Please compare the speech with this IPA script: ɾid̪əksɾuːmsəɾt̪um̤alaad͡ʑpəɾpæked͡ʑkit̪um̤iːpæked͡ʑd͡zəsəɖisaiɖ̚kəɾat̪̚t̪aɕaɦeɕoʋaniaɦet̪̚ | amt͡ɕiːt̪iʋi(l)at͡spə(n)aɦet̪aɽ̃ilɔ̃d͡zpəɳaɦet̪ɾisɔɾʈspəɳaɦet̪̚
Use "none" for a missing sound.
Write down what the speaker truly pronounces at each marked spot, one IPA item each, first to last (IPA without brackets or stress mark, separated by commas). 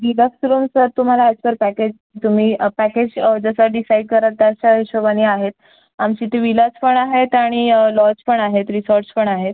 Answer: l, ɳ